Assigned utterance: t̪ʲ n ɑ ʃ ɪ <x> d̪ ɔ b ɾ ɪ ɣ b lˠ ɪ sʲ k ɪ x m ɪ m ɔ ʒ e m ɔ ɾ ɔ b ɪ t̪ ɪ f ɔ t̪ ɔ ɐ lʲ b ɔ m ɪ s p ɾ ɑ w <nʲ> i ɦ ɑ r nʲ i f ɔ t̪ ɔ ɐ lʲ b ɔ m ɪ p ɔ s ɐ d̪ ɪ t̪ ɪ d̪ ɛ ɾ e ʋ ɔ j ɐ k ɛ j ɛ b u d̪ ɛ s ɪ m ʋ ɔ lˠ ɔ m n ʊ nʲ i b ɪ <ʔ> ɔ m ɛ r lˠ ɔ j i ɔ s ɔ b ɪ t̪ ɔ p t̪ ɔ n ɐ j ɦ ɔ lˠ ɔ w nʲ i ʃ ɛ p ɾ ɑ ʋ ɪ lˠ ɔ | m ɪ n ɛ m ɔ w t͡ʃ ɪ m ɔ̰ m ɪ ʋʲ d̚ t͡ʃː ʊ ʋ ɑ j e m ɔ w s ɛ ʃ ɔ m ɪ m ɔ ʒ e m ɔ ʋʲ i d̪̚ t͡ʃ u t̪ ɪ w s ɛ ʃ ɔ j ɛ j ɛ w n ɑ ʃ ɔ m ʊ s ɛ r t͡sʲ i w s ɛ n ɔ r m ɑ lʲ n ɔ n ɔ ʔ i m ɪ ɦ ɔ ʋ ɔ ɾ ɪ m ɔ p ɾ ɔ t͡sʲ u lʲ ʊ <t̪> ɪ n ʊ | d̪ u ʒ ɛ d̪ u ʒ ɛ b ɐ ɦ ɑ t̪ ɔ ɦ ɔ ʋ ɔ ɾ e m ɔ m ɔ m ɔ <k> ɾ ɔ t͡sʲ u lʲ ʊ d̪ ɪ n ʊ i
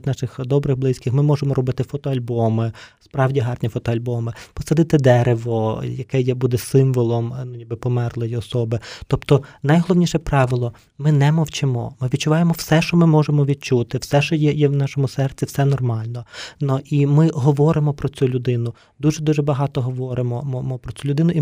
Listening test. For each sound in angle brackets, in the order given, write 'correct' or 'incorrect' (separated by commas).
correct, incorrect, incorrect, incorrect, incorrect